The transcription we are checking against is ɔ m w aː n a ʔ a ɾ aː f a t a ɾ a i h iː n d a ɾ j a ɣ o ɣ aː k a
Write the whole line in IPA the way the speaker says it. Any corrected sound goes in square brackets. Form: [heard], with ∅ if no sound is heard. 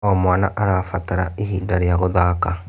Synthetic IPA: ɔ m w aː n a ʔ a ɾ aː f a t a ɾ a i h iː n d a ɾ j a ɣ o [ð] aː k a